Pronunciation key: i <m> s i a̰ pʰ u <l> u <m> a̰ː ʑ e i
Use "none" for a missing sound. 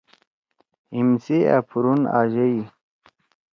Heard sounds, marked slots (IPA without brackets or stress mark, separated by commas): m, ɾ, n